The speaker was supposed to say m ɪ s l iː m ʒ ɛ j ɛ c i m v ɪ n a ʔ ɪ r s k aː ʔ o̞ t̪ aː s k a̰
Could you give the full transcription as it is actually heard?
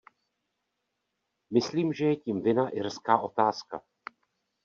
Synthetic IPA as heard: m ɪ s l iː m ʒ ɛ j ɛ c i m v ɪ n a ʔ ɪ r s k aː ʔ o̞ t̪ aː s k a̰